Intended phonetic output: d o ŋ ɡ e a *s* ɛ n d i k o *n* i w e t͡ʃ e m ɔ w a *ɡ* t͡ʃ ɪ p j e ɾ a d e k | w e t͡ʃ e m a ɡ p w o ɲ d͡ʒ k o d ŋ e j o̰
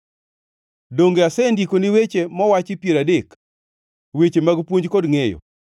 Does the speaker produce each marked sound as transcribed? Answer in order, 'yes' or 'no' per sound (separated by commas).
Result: yes, yes, no